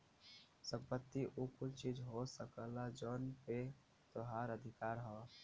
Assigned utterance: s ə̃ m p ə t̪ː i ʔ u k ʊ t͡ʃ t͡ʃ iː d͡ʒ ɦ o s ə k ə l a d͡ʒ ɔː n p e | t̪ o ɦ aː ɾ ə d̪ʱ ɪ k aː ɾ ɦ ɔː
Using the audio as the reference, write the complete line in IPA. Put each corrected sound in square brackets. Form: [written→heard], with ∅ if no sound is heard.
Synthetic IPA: s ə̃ m p ə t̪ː i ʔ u k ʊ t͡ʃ t͡ʃ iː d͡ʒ ɦ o s ə k ə l a d͡ʒ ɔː n p e | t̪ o ɦ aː ɾ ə d̪ʱ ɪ k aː ɾ ɦ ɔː